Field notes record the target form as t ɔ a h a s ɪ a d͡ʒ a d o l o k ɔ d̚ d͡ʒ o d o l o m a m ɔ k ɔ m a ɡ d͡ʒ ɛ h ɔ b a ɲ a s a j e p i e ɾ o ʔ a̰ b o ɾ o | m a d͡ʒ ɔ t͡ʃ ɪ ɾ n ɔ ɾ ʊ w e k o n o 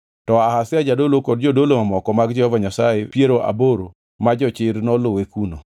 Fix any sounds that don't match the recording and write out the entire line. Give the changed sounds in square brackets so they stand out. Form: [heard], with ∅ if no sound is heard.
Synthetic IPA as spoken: t ɔ a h a s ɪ a d͡ʒ a d o l o k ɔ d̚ d͡ʒ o d o l o m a m ɔ k ɔ m a ɡ d͡ʒ ɛ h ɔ [v] a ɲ a s a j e p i e ɾ o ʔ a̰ b o ɾ o | m a d͡ʒ ɔ t͡ʃ ɪ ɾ n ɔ [l] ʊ w e k [u] n o